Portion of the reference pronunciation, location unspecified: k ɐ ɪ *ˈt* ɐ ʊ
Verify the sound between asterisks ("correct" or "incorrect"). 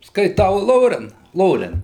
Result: correct